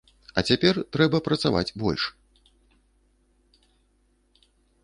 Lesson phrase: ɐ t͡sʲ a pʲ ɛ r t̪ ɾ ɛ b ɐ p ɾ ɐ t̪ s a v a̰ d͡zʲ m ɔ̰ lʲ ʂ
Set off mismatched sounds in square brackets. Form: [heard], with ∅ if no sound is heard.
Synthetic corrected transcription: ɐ t͡sʲ a pʲ ɛ r t̪ ɾ ɛ b ɐ p ɾ ɐ t̪ s a v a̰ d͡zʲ [b] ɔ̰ lʲ ʂ